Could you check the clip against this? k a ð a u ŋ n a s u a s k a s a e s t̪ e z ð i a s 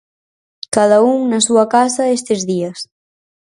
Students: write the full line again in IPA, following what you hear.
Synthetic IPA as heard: k a ð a u ŋ n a s u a k a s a e s t̪ e z ð i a s